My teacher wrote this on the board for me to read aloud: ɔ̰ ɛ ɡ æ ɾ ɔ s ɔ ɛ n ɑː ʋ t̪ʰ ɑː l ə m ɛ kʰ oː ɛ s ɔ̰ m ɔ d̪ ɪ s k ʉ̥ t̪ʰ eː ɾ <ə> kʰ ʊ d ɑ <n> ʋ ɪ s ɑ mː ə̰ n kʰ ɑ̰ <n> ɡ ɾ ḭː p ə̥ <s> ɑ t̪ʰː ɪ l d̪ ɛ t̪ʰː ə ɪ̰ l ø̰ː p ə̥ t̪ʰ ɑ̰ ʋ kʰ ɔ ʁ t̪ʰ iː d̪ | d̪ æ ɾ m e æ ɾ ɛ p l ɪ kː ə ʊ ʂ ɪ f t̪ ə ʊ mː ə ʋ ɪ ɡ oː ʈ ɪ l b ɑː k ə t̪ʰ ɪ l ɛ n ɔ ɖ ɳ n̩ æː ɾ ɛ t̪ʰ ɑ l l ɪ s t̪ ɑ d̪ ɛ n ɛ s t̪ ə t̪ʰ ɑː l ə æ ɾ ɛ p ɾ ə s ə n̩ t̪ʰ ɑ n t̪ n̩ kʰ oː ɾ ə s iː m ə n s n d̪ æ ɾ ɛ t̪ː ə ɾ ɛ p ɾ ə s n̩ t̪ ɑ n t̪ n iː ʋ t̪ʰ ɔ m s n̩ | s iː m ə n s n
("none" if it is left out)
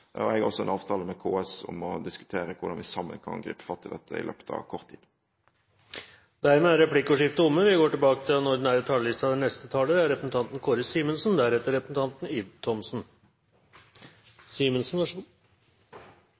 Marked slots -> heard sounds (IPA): ə, n, n, f

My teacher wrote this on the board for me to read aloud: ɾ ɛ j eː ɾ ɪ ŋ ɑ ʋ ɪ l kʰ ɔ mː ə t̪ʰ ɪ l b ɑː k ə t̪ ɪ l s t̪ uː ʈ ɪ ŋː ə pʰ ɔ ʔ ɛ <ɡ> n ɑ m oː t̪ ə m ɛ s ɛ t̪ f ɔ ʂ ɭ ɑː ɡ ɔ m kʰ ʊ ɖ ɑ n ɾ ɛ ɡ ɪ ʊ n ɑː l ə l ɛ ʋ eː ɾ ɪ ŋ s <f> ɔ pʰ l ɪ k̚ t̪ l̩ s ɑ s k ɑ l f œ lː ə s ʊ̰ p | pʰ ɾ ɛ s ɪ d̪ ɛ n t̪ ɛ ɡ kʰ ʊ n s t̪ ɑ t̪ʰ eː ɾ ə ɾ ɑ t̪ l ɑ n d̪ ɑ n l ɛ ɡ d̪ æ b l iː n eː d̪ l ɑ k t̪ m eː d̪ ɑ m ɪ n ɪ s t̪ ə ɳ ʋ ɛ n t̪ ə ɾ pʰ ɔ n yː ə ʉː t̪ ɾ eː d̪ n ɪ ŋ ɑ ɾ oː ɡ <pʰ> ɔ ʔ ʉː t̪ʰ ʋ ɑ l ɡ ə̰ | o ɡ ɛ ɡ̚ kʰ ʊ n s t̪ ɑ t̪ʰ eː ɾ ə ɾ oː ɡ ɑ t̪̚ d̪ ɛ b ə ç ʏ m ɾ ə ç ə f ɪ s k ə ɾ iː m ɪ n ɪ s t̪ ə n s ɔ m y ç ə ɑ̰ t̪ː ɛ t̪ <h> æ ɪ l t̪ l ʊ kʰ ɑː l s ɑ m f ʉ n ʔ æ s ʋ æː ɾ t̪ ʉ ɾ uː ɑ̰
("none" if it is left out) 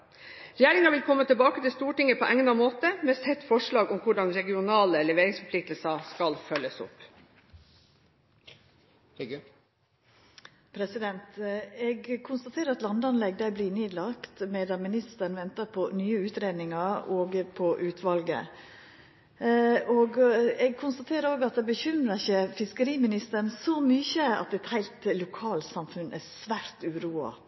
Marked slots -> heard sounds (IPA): ŋ, f, pʰ, h

